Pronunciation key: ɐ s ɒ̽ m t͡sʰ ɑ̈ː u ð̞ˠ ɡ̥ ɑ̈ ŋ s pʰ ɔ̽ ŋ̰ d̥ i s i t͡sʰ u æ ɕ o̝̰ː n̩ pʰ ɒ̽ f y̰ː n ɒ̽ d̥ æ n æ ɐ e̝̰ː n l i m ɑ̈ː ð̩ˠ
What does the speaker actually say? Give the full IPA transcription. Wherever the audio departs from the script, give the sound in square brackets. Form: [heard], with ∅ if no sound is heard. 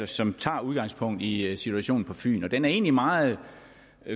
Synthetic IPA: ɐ s ɒ̽ m t͡sʰ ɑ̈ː u ð̞ˠ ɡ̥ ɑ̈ ŋ s pʰ ɔ̽ ŋ̰ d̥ i s i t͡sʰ u æ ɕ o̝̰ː n̩ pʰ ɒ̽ f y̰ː n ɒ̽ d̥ [e] n æ ɐ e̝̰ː n l i m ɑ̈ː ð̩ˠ